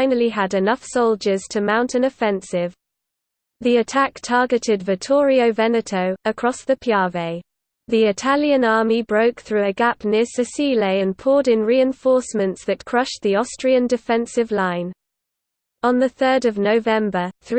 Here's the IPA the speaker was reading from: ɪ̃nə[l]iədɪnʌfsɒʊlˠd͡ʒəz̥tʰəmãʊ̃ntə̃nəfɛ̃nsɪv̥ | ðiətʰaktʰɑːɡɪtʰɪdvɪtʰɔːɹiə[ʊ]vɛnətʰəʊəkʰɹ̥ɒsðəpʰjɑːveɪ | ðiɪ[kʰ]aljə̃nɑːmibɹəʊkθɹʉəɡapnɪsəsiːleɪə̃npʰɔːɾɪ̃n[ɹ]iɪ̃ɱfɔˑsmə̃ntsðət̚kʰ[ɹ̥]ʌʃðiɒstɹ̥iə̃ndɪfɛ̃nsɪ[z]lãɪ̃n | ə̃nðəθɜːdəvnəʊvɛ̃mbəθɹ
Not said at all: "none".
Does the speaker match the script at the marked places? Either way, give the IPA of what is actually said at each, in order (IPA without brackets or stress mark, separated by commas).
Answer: l, ʊ, tʰ, ɹ, ɹ̥, v